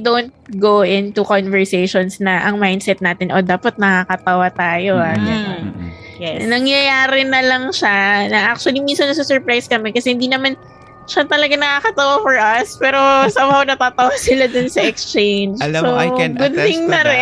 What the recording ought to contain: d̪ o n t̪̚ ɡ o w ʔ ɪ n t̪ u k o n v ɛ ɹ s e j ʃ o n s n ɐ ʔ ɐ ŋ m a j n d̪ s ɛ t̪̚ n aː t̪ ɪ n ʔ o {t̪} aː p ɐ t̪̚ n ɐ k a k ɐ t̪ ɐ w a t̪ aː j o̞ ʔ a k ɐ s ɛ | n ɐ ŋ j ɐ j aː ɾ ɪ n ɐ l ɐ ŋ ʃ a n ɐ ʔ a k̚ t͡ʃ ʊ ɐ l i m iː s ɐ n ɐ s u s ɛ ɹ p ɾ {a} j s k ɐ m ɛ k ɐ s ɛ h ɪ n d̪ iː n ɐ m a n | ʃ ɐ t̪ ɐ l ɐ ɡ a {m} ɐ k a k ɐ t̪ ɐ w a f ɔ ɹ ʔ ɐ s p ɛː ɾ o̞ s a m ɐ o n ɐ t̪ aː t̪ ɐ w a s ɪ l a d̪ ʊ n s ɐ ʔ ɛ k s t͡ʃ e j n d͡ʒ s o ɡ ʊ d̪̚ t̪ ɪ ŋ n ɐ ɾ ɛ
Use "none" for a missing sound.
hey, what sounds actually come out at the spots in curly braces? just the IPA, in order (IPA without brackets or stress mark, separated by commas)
d̪, a, n